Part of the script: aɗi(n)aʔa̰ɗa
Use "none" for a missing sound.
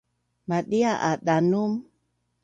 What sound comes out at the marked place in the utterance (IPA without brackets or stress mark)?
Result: none